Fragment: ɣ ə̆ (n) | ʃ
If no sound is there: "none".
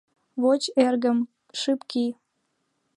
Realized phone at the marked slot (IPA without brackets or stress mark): m